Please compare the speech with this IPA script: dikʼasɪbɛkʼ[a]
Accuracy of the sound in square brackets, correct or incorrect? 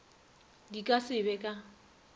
correct